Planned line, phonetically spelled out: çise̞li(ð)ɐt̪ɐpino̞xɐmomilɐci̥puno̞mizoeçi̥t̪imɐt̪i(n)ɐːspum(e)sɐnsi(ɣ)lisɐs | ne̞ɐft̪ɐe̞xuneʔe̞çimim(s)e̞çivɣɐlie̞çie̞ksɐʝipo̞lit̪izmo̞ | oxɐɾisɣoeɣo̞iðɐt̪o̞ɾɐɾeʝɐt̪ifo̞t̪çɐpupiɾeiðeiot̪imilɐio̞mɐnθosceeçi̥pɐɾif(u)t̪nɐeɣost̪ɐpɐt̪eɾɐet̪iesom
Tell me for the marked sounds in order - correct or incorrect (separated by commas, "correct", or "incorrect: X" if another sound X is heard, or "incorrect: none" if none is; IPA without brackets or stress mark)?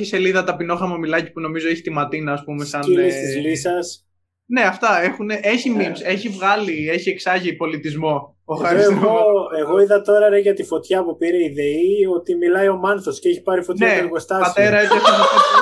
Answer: correct, correct, correct, incorrect: z, correct, incorrect: o